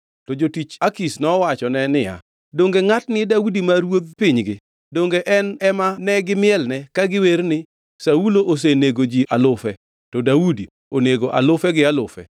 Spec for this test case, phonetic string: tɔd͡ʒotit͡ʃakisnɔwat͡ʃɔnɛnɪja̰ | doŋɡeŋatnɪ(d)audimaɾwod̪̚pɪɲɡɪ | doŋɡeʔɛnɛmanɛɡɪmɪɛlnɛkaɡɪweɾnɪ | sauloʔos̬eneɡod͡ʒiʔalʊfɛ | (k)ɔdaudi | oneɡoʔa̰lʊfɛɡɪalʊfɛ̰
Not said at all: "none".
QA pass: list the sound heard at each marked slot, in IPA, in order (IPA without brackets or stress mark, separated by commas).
d, t